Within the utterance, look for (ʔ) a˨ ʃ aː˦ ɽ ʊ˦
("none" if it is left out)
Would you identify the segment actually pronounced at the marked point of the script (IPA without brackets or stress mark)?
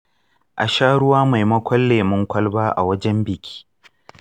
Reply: ʔ